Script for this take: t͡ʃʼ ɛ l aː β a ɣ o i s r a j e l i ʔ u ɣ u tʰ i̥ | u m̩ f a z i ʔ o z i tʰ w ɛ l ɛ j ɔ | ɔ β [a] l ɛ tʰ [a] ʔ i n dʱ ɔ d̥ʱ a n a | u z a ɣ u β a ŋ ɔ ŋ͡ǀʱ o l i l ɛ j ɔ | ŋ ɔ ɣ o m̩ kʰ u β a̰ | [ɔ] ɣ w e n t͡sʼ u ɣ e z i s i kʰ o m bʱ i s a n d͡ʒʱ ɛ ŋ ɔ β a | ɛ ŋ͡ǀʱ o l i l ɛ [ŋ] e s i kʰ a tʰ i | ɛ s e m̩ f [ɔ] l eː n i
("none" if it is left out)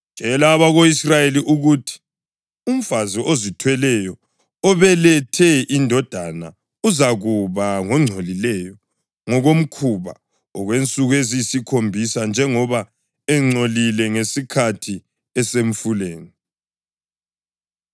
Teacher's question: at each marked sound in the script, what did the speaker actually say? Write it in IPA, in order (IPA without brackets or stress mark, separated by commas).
ɛ, ɛ, ɔ, ŋ, u